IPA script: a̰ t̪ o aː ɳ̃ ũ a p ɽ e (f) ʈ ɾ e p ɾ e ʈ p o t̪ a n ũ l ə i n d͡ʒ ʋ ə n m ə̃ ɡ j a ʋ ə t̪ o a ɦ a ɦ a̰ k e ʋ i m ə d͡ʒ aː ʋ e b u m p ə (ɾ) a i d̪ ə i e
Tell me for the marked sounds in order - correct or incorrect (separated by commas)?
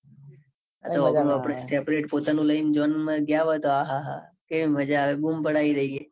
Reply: incorrect, incorrect